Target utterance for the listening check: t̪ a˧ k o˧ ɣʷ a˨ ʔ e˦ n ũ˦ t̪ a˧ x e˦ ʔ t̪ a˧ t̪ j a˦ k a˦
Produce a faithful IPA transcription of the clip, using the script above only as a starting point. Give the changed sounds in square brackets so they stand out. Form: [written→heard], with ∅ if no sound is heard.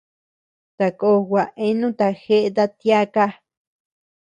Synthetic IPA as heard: t̪ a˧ k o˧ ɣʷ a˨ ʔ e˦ n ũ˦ t̪ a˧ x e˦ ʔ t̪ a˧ t̪ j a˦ k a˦